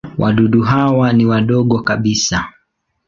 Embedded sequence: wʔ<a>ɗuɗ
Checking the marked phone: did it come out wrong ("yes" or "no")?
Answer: no